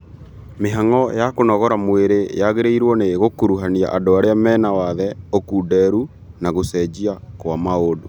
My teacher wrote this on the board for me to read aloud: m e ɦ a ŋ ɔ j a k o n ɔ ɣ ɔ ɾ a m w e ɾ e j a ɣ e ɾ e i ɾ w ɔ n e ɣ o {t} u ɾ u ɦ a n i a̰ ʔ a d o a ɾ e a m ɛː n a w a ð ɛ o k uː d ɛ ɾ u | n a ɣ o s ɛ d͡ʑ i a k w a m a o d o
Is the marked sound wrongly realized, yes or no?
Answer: yes